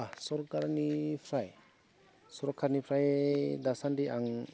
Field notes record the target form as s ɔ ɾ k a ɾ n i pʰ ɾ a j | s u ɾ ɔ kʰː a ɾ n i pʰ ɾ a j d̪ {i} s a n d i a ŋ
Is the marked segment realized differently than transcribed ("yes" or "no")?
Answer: yes